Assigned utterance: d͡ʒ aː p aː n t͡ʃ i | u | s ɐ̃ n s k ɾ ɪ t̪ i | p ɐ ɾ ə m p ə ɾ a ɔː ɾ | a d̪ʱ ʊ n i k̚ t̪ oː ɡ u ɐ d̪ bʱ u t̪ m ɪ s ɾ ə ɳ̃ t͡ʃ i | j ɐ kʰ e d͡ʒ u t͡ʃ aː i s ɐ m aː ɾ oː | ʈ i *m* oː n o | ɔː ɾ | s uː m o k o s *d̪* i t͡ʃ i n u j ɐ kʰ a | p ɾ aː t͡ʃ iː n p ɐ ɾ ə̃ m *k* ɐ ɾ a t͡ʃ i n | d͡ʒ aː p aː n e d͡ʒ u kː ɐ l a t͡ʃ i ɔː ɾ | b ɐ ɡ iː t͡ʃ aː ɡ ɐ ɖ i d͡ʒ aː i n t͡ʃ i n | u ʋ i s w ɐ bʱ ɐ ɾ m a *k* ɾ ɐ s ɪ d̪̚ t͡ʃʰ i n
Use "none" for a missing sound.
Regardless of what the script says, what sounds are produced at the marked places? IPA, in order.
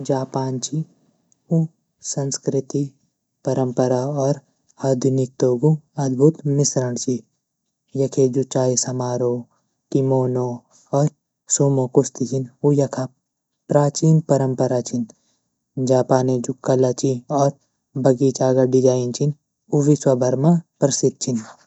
m, t̪, p, p

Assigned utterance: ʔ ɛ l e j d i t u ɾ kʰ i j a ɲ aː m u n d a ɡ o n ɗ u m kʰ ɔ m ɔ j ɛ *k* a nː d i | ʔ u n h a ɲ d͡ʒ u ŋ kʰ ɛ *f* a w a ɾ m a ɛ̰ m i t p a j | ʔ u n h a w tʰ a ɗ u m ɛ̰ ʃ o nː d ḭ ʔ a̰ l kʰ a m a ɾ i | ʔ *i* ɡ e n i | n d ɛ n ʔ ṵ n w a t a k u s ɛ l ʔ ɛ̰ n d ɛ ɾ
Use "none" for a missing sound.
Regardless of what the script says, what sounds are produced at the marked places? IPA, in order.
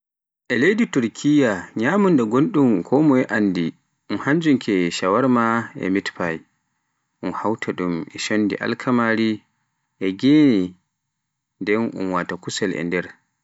ʔ, ʃ, ɛ

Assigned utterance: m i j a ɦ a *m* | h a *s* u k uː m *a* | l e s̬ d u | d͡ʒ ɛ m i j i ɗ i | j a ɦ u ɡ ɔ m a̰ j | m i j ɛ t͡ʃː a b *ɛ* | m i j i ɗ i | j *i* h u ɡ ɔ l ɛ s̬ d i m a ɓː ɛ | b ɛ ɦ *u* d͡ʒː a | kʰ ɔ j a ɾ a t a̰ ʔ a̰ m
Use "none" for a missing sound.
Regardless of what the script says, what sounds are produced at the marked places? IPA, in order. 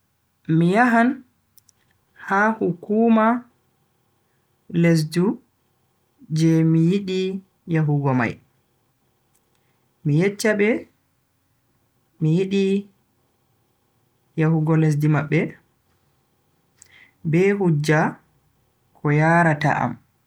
n, h, a, ɛ, a, u

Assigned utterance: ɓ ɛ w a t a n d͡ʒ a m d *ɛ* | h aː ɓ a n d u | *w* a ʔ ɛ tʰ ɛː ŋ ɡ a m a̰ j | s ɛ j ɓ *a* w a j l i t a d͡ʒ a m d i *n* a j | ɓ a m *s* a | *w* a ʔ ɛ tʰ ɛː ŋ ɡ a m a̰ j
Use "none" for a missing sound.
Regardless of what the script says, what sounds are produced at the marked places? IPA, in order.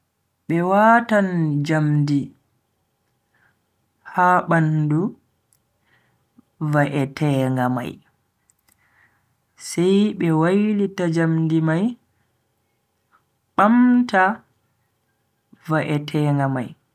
i, v, ɛ, m, t, v

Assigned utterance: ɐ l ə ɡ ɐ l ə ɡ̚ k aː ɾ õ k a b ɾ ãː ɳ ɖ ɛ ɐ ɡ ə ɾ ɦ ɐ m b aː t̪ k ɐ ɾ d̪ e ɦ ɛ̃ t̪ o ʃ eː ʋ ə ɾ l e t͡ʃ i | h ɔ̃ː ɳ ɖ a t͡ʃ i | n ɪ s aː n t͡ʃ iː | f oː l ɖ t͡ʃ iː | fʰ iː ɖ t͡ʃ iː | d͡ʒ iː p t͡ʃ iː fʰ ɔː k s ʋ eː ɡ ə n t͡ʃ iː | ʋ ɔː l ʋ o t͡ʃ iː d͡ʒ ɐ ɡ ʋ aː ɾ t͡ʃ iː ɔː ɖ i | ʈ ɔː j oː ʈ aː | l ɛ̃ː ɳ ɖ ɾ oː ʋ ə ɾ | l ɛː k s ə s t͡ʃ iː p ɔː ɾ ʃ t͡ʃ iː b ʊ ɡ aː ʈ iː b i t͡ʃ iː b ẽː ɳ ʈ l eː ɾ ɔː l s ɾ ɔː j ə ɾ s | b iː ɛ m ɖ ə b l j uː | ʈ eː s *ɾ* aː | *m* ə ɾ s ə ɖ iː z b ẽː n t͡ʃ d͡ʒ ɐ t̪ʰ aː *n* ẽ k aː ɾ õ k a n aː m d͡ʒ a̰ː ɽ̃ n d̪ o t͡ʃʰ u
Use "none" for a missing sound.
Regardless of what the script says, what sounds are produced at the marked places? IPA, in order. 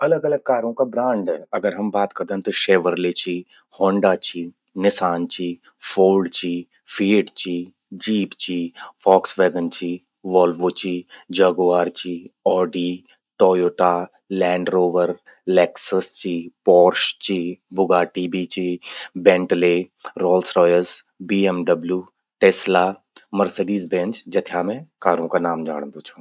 l, m, m

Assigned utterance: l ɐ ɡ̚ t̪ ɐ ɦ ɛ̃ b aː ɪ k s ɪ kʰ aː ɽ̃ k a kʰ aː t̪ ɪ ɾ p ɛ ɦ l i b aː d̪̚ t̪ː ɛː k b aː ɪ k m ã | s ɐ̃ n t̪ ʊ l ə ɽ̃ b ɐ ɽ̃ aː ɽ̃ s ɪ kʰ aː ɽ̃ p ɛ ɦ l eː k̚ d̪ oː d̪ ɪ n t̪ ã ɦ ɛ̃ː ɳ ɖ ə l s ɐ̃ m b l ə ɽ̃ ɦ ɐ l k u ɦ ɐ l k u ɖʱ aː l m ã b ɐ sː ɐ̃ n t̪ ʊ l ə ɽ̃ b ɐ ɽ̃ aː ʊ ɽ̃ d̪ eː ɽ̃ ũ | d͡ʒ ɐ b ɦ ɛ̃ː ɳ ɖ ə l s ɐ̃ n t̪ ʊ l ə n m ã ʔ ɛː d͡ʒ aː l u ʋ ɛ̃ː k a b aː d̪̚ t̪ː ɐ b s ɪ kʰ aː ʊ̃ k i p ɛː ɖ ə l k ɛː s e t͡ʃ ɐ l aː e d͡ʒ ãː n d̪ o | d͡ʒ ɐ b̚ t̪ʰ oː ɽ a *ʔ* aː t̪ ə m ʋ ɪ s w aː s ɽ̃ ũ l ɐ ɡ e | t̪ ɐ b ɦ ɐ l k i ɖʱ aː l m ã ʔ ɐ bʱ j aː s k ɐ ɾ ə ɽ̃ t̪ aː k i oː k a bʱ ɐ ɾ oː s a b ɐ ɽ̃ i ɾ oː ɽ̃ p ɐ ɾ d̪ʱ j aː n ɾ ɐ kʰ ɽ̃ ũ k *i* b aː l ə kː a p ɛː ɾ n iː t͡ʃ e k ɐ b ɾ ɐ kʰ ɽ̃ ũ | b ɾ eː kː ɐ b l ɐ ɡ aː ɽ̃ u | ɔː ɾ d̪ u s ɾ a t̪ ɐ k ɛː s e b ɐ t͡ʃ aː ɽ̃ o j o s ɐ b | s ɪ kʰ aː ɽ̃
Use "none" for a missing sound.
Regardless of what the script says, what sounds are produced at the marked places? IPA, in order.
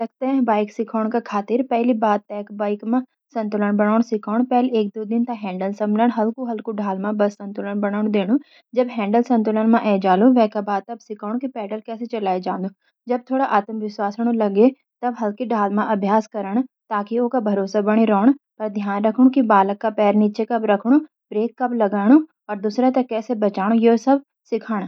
ʔ, i

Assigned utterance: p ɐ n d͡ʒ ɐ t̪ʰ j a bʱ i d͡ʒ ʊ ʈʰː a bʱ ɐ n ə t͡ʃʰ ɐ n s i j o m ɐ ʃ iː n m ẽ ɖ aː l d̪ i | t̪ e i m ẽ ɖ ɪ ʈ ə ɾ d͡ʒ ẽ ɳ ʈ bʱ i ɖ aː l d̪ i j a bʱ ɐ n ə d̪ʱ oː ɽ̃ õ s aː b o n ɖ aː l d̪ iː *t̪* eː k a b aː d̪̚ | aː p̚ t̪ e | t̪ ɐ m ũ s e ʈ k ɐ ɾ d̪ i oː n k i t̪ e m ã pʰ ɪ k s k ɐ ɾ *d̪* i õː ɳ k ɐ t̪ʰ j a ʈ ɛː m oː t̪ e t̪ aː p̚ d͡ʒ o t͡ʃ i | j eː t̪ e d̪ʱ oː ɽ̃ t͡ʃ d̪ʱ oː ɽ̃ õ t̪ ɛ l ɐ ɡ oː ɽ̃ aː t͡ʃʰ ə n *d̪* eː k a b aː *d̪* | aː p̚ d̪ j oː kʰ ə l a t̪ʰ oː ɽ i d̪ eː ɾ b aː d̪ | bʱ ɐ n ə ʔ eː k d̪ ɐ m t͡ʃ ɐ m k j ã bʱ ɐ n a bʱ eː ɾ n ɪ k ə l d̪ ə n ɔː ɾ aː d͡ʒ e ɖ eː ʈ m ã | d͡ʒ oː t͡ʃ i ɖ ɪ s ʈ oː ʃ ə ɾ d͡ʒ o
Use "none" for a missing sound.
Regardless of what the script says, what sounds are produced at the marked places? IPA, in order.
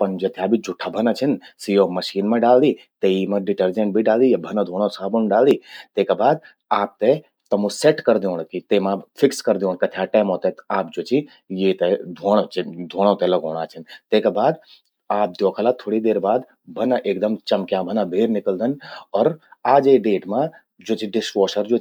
t̪, d̪, t̪, d̪

